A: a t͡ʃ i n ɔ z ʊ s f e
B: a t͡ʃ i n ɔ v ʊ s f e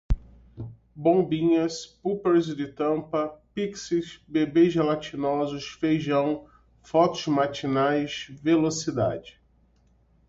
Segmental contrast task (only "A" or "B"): A